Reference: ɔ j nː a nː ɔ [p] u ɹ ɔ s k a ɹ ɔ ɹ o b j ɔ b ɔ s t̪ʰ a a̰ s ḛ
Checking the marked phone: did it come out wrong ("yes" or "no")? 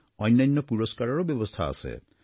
no